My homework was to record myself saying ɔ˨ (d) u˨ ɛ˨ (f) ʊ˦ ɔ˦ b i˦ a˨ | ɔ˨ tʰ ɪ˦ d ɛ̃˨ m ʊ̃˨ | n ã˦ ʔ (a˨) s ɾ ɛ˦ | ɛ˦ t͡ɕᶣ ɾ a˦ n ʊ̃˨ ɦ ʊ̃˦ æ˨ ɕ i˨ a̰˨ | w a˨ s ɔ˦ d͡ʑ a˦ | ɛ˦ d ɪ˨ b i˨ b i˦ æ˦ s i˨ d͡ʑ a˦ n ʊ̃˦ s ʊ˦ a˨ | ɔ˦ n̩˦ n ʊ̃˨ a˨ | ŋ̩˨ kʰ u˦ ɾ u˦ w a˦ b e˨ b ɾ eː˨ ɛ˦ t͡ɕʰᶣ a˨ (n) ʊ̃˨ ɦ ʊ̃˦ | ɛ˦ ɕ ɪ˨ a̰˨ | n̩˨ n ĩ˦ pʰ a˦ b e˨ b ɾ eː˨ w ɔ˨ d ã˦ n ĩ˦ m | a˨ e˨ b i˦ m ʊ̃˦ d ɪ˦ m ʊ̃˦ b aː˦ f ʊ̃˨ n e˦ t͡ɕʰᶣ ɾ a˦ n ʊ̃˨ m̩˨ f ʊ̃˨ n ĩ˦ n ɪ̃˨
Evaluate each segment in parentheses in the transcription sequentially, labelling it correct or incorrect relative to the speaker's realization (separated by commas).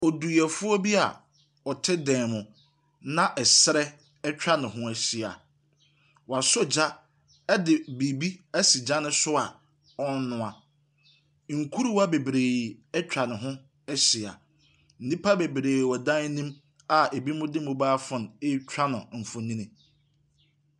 correct, correct, incorrect, correct